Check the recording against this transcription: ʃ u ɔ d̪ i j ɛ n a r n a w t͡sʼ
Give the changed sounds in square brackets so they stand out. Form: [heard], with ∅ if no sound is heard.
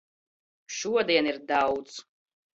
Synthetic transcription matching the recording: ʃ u ɔ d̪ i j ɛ n [i] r [d] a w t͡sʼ